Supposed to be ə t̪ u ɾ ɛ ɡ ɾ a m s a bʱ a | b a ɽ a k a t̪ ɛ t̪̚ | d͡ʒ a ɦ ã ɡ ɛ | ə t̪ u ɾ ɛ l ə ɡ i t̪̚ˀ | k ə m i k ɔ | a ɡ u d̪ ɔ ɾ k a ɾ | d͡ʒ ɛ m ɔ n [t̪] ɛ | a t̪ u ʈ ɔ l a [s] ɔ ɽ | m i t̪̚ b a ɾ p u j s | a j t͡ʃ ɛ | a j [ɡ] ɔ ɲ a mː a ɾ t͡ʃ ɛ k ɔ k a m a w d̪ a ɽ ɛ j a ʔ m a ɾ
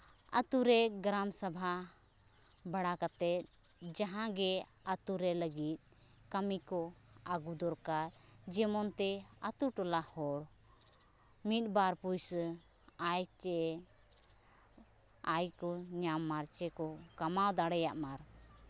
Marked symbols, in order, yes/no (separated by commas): yes, no, no